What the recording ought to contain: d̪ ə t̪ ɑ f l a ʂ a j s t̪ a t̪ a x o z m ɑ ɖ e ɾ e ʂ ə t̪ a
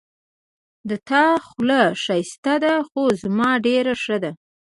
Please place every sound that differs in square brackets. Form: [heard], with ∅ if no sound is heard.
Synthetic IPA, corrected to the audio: d̪ ə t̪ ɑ [x] l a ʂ a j s t̪ a [d̪] a x o z m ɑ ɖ e ɾ [a] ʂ ə [d̪] a